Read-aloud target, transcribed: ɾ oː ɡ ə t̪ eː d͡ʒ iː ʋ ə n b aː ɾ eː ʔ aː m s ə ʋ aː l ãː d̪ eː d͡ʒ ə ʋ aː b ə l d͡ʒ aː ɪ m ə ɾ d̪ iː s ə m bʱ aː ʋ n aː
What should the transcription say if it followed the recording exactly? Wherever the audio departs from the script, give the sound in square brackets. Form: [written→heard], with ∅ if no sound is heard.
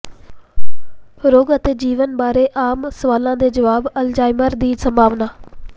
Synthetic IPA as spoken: ɾ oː ɡ ə t̪ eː d͡ʒ iː ʋ ə n b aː ɾ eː ʔ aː m s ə ʋ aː l ãː d̪ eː d͡ʒ ə ʋ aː b ə l d͡ʒ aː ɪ m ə ɾ d̪ iː s ə m bʱ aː ʋ n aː